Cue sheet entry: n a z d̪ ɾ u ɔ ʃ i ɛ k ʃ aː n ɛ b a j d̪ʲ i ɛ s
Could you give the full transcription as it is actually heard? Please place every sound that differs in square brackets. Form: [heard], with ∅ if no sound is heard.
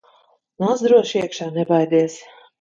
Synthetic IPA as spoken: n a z d̪ ɾ u ɔ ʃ i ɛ k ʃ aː n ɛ b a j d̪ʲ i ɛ s